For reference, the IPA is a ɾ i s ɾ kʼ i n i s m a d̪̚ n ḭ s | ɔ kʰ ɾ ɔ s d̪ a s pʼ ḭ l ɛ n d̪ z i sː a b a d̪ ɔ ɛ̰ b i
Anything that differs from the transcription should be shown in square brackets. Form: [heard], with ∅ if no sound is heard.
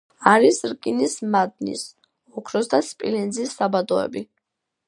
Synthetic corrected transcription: a ɾ i s ɾ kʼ i n i s m a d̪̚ n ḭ s | ɔ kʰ ɾ ɔ s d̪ a s pʼ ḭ l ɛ n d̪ z i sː a b a d̪ ɔ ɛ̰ b i